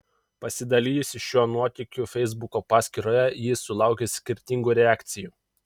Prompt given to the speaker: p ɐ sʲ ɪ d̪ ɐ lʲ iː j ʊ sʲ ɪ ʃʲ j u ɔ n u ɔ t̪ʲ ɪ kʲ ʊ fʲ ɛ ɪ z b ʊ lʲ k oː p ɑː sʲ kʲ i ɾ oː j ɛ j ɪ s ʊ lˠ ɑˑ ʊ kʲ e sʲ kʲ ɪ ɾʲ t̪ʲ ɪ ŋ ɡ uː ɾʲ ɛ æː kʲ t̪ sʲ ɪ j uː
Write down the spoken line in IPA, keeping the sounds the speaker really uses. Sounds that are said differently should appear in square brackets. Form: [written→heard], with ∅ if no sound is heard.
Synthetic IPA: p ɐ sʲ ɪ d̪ ɐ lʲ iː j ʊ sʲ ɪ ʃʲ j u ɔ n u ɔ t̪ʲ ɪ kʲ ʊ fʲ ɛ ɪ z b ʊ [lʲ→∅] k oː p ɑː sʲ kʲ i ɾ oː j ɛ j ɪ s ʊ lˠ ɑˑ ʊ kʲ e sʲ kʲ ɪ ɾʲ t̪ʲ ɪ ŋ ɡ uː ɾʲ ɛ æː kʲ t̪ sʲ ɪ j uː